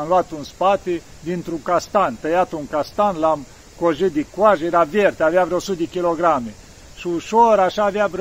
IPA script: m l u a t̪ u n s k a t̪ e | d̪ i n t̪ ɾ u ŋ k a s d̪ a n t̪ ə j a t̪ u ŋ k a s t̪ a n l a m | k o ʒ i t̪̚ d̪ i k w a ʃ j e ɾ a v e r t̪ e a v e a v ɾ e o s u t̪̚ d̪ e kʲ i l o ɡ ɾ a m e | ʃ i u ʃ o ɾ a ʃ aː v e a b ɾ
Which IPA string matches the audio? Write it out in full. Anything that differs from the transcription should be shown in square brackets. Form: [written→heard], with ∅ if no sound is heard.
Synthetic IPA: m l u a t̪ u n s [k→p] a t̪ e | d̪ i n t̪ ɾ u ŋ k a s [d̪→t̪] a n t̪ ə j a t̪ u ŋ k a s t̪ a n l a m | k o ʒ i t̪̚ d̪ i k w a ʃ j e ɾ a v e r t̪ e a v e a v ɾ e o s u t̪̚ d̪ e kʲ i l o ɡ ɾ a m e | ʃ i u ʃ o ɾ a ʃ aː v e a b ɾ